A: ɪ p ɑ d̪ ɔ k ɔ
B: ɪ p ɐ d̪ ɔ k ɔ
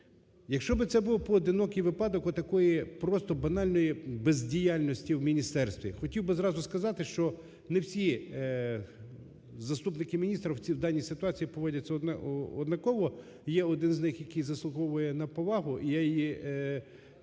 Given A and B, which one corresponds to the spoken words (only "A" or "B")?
A